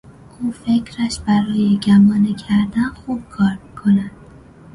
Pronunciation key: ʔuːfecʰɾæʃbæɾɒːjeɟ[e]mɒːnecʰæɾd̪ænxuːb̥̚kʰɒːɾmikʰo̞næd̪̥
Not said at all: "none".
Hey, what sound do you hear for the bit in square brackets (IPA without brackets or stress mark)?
æ